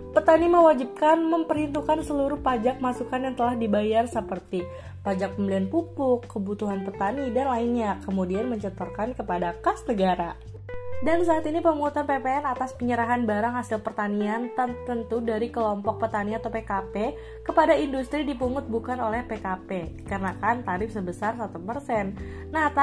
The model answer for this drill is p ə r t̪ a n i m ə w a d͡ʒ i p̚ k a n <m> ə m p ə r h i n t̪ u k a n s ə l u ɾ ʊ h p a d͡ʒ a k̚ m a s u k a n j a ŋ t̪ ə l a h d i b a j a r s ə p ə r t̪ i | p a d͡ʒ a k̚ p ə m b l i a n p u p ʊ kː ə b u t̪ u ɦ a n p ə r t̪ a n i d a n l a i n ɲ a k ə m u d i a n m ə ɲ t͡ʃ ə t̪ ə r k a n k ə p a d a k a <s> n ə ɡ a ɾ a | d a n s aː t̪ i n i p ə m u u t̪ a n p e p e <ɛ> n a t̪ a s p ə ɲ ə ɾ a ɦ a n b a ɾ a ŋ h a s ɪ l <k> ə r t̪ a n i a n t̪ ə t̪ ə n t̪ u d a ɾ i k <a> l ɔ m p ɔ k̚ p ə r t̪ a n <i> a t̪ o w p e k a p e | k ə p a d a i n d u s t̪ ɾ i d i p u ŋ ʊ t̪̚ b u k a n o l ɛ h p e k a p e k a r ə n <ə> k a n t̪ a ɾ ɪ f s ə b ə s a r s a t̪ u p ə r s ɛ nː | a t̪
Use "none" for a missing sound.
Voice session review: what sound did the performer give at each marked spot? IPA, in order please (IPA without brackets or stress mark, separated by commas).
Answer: m, s, ɛ, p, ə, i, a